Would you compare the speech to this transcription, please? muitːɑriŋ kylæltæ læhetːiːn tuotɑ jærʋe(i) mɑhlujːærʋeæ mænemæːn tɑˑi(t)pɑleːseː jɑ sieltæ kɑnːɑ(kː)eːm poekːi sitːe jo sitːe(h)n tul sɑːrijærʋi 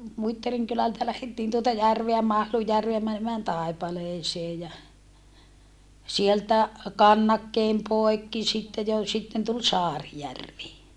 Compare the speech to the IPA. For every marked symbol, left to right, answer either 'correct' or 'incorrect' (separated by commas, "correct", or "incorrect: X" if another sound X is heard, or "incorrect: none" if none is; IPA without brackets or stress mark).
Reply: incorrect: æ, incorrect: none, correct, incorrect: none